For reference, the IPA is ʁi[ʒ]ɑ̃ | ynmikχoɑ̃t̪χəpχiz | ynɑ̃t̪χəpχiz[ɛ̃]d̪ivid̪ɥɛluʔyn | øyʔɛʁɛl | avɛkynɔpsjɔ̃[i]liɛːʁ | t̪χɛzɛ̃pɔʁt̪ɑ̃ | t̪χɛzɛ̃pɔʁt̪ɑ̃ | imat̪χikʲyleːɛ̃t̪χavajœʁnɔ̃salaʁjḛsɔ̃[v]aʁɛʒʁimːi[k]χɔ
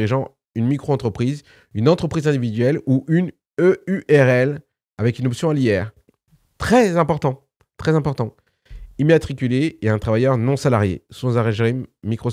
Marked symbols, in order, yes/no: yes, yes, no, no, yes

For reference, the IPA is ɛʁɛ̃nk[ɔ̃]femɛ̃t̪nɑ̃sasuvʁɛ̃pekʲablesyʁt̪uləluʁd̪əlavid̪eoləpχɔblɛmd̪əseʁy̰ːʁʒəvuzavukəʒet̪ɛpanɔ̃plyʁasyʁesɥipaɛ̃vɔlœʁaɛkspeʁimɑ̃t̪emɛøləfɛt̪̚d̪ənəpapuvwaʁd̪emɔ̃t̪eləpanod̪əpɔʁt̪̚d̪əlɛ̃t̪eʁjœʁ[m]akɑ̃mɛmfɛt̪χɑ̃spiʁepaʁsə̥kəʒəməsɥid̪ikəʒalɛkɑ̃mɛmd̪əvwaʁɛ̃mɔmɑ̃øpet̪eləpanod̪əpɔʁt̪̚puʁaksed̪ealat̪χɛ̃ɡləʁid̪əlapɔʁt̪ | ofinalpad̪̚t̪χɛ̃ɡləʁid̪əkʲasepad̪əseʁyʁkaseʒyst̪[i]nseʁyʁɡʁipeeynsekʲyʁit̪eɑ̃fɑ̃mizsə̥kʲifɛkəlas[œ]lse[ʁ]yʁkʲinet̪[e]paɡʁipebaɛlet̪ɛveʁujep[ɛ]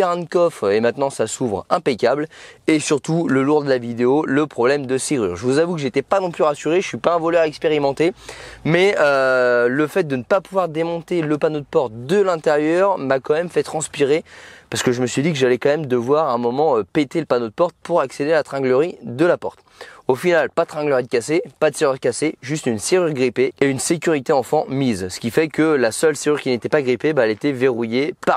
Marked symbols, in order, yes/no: no, yes, no, yes, yes, no, no

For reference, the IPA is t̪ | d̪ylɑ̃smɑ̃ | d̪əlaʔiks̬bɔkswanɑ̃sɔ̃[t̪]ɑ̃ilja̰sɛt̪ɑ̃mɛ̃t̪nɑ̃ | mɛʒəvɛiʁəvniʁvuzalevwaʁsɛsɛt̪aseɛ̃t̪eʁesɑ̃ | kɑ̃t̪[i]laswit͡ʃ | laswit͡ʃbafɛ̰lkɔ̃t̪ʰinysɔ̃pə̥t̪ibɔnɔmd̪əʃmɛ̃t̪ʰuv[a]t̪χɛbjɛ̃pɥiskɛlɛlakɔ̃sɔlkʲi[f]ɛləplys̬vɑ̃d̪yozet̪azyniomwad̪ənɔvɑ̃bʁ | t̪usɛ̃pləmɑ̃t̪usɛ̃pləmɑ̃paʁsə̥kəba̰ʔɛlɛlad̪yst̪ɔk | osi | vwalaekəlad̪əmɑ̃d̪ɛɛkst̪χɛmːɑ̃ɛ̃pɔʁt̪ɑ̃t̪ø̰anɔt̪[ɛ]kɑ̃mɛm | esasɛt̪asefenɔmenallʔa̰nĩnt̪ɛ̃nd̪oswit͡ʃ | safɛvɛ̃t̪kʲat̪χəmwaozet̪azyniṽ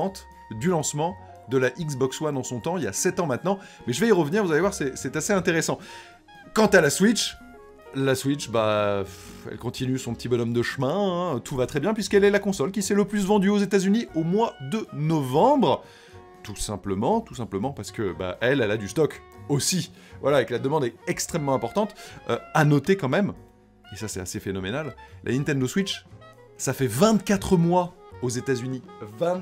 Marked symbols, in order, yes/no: yes, no, yes, no, no

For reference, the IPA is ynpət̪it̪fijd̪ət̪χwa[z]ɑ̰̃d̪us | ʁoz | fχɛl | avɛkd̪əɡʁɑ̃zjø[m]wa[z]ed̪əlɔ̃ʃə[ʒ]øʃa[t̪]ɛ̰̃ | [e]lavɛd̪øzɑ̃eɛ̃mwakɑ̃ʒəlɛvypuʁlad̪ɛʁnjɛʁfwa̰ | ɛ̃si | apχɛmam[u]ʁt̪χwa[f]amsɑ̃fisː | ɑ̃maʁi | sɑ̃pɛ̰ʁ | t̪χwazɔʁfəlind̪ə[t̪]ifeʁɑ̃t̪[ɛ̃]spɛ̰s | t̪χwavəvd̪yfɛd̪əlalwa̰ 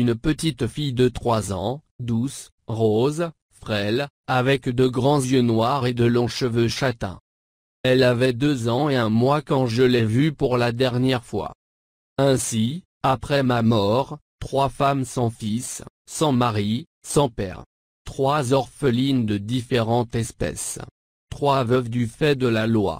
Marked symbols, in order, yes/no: yes, no, no, no, yes, no, no, yes, no, no

